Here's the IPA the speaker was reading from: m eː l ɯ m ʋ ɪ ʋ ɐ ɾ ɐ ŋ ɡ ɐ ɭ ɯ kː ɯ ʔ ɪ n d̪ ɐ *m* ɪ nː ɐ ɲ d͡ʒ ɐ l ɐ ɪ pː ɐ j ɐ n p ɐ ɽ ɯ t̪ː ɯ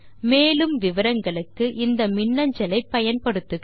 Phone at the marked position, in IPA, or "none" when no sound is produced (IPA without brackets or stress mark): m